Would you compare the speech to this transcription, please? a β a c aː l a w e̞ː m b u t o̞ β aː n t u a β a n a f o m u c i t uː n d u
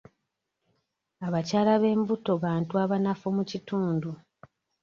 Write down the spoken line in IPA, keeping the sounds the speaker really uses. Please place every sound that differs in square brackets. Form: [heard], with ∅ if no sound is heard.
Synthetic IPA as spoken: a β a c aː l a [β] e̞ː m b u t o̞ β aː n t u a β a n a f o m u c i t uː n d u

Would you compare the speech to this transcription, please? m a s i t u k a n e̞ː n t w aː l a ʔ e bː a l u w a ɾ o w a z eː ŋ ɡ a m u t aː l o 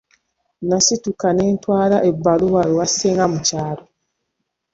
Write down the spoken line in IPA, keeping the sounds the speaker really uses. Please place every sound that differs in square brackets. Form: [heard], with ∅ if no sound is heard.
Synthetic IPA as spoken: [n] a s i t u k a n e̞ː n t w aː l a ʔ e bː a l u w a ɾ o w a [s] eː ŋ ɡ a m u [c] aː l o

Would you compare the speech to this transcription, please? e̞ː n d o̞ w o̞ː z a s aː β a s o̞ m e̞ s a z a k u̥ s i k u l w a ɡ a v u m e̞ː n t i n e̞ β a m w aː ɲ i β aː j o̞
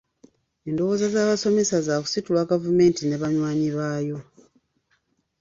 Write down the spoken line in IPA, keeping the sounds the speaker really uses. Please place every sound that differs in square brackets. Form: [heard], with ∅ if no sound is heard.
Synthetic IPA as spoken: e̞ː n d o̞ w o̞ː z a [z] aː β a s o̞ m e̞ s a z a k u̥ s i [t] u l w a ɡ a v u m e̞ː n t i n e̞ β a [ɲ] w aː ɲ i β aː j o̞

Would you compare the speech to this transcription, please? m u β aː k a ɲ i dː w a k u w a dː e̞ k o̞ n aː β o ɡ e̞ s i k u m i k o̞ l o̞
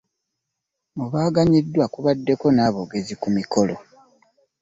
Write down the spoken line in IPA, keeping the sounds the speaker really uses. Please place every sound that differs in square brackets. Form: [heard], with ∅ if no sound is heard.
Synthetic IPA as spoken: m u β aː [ɡ] a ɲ i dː w a k u [β] a dː e̞ k o̞ n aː β o ɡ e̞ [z] i k u m i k o̞ l o̞

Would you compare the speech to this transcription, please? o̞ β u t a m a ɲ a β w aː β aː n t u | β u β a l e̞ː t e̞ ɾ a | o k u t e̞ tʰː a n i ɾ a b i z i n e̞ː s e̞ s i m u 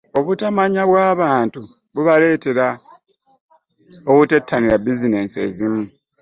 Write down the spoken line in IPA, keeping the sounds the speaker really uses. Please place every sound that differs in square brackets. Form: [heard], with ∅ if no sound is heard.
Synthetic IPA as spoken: o̞ β u t a m a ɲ a β w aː β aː n t u | β u β a l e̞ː t e̞ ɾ a | o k u t e̞ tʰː a n i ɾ a b i z i n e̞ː s e̞ [z] i m u

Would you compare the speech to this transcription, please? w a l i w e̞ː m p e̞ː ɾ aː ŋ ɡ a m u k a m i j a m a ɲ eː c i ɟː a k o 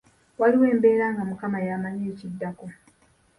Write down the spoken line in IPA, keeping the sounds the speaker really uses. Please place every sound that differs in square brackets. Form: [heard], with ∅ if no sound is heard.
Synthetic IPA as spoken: w a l i w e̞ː m [b] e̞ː ɾ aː ŋ ɡ a m u k a m [a] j a m a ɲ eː c i [dː] a k o

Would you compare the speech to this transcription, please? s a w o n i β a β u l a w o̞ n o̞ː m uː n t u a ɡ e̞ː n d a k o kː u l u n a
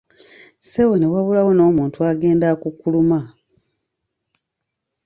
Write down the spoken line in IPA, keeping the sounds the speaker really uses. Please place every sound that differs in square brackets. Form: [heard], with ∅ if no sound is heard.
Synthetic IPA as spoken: s [e] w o n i [w] a β u l a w o̞ n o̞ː m uː n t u a ɡ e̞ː n d a k [u] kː u l u [m] a

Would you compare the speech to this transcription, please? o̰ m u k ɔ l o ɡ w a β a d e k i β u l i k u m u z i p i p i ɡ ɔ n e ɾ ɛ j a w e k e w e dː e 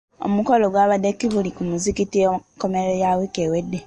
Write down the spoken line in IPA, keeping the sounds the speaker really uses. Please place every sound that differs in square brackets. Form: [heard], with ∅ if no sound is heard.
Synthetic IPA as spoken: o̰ m u k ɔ l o ɡ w a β a d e k i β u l i k u m u z i [k] i [t] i [k] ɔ [m] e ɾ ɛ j a w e k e w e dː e

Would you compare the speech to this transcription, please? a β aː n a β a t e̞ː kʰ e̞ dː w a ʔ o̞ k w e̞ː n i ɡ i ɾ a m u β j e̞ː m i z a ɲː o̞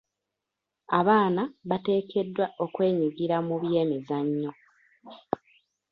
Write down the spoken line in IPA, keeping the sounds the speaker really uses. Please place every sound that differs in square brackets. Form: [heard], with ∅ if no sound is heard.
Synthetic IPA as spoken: a β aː n a β a t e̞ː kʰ e̞ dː w a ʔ o̞ k w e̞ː [ɲ] i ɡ i ɾ a m u β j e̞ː m i z a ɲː o̞

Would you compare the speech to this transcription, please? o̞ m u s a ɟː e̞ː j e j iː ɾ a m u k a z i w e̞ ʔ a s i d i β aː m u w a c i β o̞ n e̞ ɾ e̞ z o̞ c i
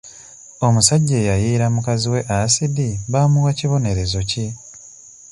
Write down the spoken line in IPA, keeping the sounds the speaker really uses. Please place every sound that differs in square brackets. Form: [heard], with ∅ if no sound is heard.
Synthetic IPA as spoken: o̞ m u s a ɟː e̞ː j [a] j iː ɾ a m u k a z i w e̞ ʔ a s i d i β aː m u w a c i β o̞ n e̞ ɾ e̞ z o̞ c i

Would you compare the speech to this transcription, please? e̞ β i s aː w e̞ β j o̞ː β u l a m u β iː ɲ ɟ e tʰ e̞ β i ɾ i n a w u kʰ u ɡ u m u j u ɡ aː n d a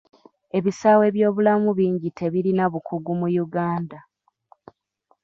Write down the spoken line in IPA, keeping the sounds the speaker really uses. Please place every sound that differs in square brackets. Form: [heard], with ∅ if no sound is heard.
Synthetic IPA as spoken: e̞ β i s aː w e̞ β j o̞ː β u l a m u β iː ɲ ɟ [i] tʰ e̞ β i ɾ i n a [β] u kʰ u ɡ u m u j u ɡ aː n d a

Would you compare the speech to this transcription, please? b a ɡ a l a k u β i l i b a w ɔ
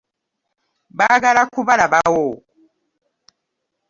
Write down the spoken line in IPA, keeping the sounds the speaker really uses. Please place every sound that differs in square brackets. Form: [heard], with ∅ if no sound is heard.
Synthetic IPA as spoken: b a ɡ a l a k u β [a] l [a] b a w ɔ

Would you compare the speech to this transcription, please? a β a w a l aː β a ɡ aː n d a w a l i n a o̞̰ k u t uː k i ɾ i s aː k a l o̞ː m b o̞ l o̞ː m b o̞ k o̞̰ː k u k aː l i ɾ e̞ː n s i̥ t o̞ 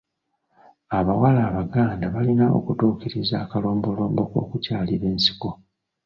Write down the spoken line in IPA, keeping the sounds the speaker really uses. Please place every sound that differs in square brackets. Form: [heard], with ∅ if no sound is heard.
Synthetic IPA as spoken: a β a w a l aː β a ɡ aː n d a [β] a l i n a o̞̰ k u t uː k i ɾ i [z] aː k a l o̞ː m b o̞ l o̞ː m b o̞ k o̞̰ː k u [c] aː l i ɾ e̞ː n s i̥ [k] o̞

